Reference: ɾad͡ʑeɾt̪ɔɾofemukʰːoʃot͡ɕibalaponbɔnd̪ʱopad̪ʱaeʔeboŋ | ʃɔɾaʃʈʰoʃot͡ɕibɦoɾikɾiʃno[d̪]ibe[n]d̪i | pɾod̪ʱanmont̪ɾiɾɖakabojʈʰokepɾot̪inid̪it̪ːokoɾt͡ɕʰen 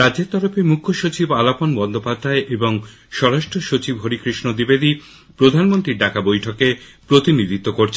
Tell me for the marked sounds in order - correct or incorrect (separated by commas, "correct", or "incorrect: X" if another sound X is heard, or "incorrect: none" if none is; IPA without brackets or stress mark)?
correct, incorrect: none